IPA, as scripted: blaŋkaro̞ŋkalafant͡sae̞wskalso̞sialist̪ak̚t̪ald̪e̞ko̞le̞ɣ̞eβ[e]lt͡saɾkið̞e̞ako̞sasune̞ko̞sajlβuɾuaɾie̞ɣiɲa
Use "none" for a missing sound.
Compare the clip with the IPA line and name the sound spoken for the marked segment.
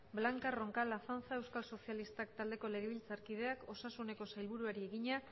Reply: i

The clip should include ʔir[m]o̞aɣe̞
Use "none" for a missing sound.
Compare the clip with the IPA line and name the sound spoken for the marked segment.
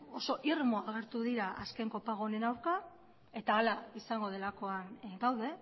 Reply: m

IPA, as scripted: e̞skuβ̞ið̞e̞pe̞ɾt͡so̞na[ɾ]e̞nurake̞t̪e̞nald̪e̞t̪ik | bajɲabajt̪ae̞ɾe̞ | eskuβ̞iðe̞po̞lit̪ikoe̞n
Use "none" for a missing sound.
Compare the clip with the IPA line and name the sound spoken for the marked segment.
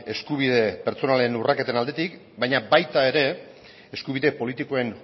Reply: l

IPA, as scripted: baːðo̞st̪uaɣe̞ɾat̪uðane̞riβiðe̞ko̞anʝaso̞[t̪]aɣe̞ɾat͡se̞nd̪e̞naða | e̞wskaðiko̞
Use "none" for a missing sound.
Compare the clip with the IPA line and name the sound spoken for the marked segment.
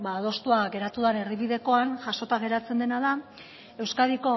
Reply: t̪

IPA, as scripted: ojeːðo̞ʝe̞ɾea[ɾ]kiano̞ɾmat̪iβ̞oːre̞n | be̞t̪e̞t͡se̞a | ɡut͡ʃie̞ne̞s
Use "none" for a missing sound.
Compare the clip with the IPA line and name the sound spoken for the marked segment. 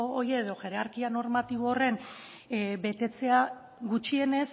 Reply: ɾ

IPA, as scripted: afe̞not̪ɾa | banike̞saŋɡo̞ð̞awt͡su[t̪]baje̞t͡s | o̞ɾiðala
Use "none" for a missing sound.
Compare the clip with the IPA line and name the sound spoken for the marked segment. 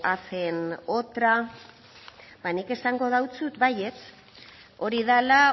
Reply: t̪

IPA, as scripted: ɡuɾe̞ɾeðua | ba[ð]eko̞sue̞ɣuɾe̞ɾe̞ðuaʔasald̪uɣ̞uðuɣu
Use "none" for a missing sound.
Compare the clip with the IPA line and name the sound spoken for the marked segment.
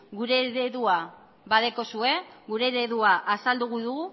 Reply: ð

